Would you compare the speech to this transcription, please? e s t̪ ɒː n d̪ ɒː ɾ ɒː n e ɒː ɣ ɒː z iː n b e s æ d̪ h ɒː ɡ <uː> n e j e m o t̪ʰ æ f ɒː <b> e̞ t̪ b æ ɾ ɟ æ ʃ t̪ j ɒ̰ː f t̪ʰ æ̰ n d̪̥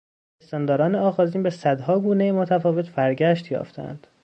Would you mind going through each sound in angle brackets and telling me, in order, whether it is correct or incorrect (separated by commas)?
correct, incorrect